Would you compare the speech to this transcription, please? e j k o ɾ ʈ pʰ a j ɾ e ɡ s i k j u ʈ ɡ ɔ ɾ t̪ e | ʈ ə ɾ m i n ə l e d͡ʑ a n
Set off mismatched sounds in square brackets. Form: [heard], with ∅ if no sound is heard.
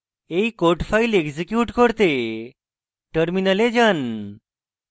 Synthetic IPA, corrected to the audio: e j k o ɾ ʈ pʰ a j [l] e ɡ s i k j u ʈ [k] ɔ ɾ t̪ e | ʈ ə ɾ m i n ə l e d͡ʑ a n